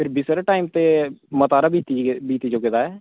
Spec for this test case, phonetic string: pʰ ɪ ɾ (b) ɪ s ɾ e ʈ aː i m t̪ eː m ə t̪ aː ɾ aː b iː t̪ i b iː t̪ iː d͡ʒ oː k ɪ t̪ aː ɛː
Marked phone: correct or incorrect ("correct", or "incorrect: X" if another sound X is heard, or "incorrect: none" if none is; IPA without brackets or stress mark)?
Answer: correct